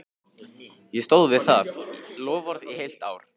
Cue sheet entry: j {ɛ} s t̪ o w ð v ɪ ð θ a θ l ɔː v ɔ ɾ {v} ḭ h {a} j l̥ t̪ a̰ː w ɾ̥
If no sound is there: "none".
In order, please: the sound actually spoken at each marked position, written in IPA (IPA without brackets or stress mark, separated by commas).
ɛ, ð, e